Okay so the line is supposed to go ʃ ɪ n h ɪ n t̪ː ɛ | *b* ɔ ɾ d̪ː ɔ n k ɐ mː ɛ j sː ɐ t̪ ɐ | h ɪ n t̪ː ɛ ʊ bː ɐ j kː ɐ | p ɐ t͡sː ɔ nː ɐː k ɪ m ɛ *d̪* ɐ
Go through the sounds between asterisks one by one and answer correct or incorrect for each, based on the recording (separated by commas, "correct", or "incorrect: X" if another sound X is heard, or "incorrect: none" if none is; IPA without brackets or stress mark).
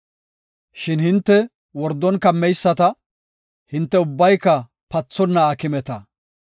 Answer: incorrect: w, incorrect: t̪